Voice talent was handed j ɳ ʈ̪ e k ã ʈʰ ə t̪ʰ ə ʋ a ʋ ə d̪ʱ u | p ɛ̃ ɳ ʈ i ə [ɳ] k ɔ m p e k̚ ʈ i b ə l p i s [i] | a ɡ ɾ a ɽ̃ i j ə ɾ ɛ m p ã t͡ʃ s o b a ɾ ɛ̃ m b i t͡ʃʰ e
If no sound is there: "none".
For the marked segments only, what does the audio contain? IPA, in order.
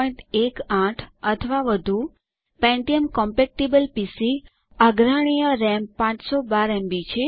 m, i

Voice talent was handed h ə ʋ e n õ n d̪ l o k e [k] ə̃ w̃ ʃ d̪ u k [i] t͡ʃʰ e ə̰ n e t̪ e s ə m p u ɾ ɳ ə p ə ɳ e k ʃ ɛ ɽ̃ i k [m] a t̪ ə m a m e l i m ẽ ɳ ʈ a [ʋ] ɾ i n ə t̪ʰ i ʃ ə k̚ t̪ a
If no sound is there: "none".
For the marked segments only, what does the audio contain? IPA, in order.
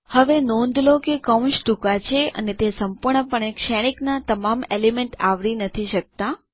k, a, n, ʋ

